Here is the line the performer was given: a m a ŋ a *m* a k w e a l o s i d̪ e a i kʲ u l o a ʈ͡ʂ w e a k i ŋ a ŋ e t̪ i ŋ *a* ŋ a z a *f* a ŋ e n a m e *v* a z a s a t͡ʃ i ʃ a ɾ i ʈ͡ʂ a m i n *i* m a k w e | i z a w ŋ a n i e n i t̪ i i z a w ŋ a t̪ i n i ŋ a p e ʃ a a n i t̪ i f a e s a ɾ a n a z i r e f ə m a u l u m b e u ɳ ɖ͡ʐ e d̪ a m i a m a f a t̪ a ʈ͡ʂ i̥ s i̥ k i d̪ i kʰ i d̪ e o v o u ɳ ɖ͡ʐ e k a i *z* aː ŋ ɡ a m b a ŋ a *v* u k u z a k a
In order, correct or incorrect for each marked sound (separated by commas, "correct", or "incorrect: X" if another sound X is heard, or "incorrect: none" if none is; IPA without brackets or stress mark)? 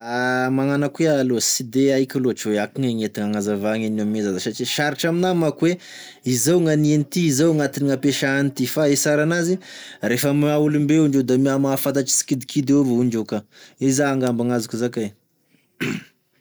incorrect: n, correct, incorrect: v, incorrect: z, incorrect: a, correct, incorrect: z